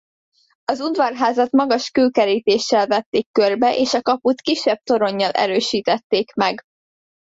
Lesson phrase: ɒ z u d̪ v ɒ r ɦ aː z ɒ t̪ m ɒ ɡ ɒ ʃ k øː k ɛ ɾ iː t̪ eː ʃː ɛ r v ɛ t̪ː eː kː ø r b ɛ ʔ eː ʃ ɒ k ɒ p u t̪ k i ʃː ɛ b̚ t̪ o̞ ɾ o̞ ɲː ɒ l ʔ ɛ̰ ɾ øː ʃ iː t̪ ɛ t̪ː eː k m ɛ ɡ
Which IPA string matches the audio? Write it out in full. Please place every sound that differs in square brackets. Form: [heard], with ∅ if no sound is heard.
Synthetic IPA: ɒ z u d̪ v ɒ r ɦ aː z ɒ t̪ m ɒ ɡ ɒ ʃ k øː k ɛ ɾ iː t̪ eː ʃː ɛ [l] v ɛ t̪ː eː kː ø r b ɛ ʔ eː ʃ ɒ k ɒ p u t̪ k i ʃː ɛ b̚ t̪ o̞ ɾ o̞ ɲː ɒ l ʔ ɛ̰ ɾ øː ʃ iː t̪ ɛ t̪ː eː k m ɛ ɡ